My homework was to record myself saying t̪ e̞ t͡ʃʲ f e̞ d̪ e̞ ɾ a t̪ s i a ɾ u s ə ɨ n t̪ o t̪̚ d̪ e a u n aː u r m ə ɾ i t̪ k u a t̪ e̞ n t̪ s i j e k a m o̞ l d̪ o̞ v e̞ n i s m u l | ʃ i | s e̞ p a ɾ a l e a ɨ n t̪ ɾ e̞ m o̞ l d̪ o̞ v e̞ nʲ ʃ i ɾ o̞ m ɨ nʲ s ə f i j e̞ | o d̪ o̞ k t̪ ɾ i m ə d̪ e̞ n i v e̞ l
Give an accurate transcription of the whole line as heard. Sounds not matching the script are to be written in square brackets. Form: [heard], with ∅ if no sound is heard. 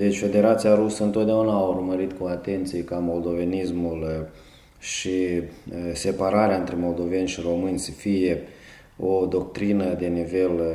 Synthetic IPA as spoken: [d̪] e̞ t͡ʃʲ f e̞ d̪ e̞ ɾ a t̪ s i a ɾ u s ə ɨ n t̪ o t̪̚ d̪ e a u n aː u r m ə ɾ i t̪ k u a t̪ e̞ n t̪ s i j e k a m o̞ l d̪ o̞ v e̞ n i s m u l | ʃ i | s e̞ p a ɾ a [ɾ] e a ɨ n t̪ ɾ e̞ m o̞ l d̪ o̞ v e̞ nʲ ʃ i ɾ o̞ m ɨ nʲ s ə f i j e̞ | o d̪ o̞ k t̪ ɾ i [n] ə d̪ e̞ n i v e̞ l